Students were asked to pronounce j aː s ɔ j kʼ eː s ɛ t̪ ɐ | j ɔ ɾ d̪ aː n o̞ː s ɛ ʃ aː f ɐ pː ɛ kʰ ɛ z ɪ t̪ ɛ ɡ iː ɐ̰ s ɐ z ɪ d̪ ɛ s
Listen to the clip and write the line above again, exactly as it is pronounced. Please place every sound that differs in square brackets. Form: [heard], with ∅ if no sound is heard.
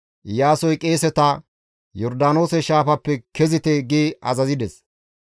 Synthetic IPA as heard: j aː s ɔ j kʼ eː s ɛ t̪ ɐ | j ɔ ɾ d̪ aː n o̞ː s ɛ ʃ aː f ɐ pː ɛ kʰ ɛ z ɪ t̪ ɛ ɡ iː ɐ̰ [z] ɐ z ɪ d̪ ɛ s

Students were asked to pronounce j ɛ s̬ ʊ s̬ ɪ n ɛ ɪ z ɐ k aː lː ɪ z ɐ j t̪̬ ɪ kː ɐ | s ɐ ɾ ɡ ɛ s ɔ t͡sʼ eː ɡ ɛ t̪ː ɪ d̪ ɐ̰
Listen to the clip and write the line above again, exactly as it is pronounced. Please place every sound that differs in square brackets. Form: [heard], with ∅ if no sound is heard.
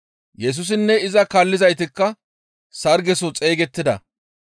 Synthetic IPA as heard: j ɛ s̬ ʊ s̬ ɪ [nː] ɛ ɪ z ɐ k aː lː ɪ z ɐ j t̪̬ ɪ kː ɐ | s ɐ ɾ ɡ ɛ s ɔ t͡sʼ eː ɡ ɛ t̪ː ɪ d̪ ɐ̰

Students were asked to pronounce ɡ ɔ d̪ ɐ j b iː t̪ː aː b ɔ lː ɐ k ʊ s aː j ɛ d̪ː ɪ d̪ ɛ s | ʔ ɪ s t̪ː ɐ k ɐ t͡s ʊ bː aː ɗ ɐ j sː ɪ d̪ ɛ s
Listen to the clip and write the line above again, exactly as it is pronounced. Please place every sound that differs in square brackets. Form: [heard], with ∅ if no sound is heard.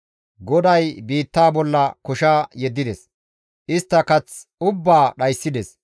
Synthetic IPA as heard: ɡ ɔ d̪ ɐ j b iː t̪ː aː b ɔ lː ɐ k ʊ [ʃ] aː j ɛ d̪ː ɪ d̪ ɛ s | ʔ ɪ s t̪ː ɐ k ɐ t͡s ʊ bː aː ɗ ɐ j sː ɪ d̪ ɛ s

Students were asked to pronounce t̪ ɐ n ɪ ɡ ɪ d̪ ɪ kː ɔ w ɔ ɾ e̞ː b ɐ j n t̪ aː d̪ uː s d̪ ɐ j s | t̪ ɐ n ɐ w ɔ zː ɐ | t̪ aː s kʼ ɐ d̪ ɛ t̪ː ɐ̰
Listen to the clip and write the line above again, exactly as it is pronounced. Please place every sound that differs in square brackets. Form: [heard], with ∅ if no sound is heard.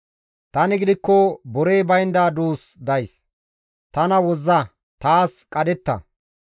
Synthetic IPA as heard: t̪ ɐ n ɪ ɡ ɪ d̪ ɪ kː ɔ [b] ɔ ɾ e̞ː b ɐ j n [d̪] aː d̪ uː s d̪ ɐ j s | t̪ ɐ n ɐ w ɔ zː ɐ | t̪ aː s kʼ ɐ d̪ ɛ t̪ː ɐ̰

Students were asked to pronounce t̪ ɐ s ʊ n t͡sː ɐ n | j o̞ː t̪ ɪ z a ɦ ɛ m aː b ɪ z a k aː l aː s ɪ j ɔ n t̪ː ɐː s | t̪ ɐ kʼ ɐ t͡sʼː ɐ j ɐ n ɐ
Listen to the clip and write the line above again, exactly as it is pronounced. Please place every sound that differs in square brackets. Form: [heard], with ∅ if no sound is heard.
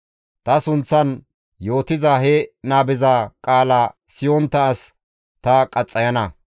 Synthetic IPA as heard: t̪ ɐ s ʊ n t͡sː ɐ n | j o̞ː t̪ ɪ z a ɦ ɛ [n] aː b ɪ z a [kʼ] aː l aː s ɪ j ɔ n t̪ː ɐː s | t̪ ɐ kʼ ɐ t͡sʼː ɐ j ɐ n ɐ

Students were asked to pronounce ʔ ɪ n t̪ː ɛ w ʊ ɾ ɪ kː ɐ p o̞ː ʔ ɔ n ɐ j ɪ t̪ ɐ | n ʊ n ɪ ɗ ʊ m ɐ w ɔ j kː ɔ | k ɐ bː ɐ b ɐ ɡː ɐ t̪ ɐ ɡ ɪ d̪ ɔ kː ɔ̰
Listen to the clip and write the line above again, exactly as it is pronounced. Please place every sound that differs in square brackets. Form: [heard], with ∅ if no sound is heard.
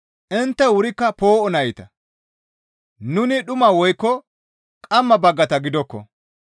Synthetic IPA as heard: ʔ ɪ n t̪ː ɛ w ʊ ɾ ɪ kː ɐ p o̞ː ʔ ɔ n ɐ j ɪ t̪ ɐ | n ʊ n ɪ ɗ ʊ m ɐ w ɔ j kː ɔ | [kʼ] ɐ [mː] ɐ b ɐ ɡː ɐ t̪ ɐ ɡ ɪ d̪ ɔ kː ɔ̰

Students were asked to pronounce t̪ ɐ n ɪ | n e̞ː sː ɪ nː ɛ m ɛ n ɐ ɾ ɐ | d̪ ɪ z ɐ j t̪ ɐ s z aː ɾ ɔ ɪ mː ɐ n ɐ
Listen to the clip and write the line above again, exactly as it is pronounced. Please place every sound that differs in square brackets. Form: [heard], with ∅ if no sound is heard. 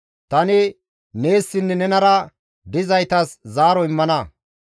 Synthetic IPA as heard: t̪ ɐ n ɪ | n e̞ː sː ɪ nː ɛ [n] ɛ n ɐ ɾ ɐ | d̪ ɪ z ɐ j t̪ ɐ s z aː ɾ ɔ ɪ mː ɐ n ɐ

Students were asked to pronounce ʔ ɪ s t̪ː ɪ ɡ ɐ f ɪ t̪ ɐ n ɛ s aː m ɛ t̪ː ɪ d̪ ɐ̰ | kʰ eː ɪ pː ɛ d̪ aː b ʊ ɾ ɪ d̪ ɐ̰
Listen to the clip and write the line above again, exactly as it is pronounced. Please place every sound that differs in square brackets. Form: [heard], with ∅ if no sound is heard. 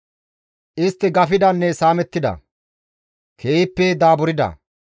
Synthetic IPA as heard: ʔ ɪ s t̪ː ɪ ɡ ɐ f ɪ [d̪] ɐ [nː] ɛ s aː m ɛ t̪ː ɪ d̪ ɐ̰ | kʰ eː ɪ pː ɛ d̪ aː b ʊ ɾ ɪ d̪ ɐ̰

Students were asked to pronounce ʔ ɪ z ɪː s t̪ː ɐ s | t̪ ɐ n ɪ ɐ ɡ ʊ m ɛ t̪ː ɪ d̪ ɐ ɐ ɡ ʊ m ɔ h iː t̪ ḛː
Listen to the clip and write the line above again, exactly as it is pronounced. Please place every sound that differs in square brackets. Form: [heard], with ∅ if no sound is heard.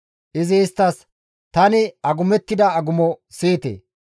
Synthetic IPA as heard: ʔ ɪ z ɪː s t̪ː ɐ s | t̪ ɐ n ɪ ɐ ɡ ʊ m ɛ t̪ː ɪ d̪ ɐ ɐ ɡ ʊ m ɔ [s] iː t̪ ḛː

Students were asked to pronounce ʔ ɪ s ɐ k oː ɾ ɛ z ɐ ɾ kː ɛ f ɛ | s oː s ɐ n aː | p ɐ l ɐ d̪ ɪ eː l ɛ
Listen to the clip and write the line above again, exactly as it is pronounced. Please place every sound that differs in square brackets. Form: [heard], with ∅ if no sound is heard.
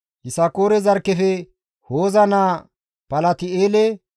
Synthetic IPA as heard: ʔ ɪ s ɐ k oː ɾ ɛ z ɐ ɾ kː ɛ f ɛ | [h] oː [z] ɐ n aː | p ɐ l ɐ [t̪] ɪ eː l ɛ

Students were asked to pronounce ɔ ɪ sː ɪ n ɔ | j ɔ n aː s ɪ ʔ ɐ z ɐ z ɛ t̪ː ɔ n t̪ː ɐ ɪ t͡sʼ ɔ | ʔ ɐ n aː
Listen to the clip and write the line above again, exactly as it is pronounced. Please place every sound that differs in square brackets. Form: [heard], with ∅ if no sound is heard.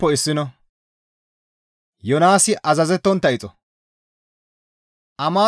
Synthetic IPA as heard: ɔ ɪ sː ɪ n ɔ | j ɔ n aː s ɪ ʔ ɐ z ɐ z ɛ t̪ː ɔ n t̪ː ɐ ɪ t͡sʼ ɔ | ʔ ɐ [m] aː

